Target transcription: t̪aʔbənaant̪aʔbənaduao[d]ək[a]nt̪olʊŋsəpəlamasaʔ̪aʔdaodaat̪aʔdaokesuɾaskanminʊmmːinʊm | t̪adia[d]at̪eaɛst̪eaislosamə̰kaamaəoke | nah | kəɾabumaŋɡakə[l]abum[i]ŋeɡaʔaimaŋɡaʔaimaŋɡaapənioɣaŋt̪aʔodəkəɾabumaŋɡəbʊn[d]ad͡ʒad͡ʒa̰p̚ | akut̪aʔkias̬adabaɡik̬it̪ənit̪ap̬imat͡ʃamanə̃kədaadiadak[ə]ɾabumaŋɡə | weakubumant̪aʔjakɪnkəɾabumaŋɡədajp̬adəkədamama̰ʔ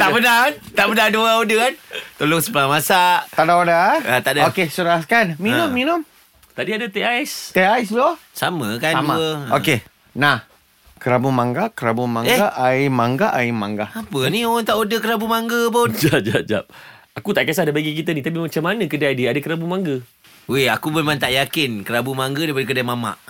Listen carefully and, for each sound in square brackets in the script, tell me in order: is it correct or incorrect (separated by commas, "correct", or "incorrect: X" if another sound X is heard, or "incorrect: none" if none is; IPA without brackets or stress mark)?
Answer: correct, correct, correct, incorrect: ɾ, incorrect: a, incorrect: d͡ʒ, correct